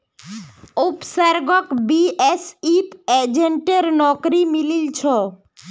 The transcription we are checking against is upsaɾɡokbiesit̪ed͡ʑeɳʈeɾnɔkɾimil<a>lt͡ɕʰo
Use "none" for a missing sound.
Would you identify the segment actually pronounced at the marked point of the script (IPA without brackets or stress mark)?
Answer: i